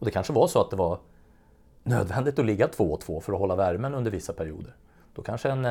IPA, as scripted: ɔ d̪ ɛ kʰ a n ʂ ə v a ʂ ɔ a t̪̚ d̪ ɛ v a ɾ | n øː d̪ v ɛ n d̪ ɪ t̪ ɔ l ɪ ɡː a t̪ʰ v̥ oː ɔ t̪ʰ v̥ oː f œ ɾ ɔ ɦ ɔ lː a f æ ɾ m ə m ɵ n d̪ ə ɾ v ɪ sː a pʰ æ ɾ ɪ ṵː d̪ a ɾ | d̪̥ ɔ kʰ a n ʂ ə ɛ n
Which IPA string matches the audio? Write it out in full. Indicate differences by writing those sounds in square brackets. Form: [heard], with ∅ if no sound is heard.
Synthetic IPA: ɔ d̪ ɛ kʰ a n ʂ ə v a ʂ ɔ a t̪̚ d̪ ɛ v a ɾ | n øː d̪ v ɛ n d̪ ɪ t̪ ɔ l ɪ ɡː a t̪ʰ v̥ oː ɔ t̪ʰ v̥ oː f œ ɾ ɔ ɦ ɔ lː a [v] æ ɾ m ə [n] ɵ n d̪ ə ɾ v ɪ sː a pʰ æ ɾ ɪ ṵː d̪ [ə] ɾ | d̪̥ ɔ kʰ a n ʂ ə ɛ n